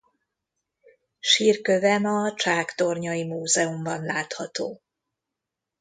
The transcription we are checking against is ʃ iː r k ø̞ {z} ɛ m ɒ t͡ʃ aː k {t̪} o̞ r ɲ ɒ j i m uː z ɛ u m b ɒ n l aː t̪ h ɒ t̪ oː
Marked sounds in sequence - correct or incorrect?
incorrect: v, correct

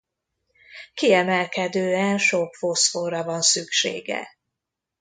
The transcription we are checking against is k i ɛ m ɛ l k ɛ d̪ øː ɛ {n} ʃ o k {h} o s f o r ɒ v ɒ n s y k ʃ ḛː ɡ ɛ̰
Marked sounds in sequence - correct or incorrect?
correct, incorrect: f

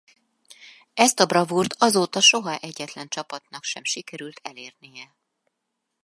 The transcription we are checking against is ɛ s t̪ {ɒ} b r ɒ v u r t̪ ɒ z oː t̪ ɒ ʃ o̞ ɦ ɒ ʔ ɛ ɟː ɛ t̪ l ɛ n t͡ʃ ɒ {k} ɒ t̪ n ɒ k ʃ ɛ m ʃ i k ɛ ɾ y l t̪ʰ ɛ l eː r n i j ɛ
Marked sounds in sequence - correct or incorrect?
correct, incorrect: p

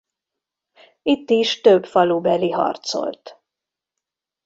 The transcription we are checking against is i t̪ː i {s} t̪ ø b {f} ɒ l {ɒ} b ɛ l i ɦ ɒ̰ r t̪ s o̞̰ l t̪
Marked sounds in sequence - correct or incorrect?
incorrect: ʃ, correct, incorrect: u

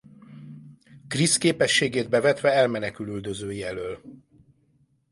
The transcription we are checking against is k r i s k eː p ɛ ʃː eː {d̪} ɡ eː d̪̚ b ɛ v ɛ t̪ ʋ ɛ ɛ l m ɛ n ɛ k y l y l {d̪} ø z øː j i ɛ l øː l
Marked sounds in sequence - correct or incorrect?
incorrect: none, correct

